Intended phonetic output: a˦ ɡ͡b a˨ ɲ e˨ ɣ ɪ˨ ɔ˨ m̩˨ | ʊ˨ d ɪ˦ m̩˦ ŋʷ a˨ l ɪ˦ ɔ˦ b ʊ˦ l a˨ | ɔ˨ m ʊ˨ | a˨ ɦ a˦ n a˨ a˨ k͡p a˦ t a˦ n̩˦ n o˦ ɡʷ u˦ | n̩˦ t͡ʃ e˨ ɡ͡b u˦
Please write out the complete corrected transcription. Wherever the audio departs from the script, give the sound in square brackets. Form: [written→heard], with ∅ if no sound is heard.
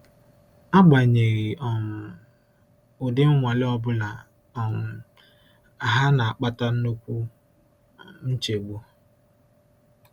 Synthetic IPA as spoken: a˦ ɡ͡b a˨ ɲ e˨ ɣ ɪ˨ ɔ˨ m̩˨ | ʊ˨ d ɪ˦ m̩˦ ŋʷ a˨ l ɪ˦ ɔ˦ b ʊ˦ l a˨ | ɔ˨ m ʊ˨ | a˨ ɦ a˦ n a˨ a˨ k͡p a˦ t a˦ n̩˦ n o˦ [ɡʷ→kʷ] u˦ | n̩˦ t͡ʃ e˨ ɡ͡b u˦